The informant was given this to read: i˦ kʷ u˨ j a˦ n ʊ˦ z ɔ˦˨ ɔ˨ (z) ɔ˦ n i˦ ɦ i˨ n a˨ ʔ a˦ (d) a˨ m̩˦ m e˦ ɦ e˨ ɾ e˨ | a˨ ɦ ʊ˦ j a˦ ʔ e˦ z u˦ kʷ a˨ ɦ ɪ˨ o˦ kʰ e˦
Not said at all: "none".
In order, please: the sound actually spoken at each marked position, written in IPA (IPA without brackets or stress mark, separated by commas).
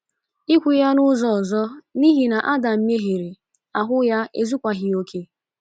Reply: z, d